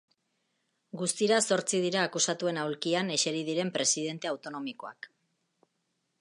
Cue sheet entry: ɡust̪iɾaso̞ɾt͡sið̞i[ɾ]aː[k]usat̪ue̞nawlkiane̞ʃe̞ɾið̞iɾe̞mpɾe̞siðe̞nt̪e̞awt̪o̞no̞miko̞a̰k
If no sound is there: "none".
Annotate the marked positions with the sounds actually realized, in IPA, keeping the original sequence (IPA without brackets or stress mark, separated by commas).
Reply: ɾ, k